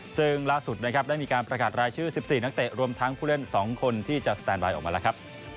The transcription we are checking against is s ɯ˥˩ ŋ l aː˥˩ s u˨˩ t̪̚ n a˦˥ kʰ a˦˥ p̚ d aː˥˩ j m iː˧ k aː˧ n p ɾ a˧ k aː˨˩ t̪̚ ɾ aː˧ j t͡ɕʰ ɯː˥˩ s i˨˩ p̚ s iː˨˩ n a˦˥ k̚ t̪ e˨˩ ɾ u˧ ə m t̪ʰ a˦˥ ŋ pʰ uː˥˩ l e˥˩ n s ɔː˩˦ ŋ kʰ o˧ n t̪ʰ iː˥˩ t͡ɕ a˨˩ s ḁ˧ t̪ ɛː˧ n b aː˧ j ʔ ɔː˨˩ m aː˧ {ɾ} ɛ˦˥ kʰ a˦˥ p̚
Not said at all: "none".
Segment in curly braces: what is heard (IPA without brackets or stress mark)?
l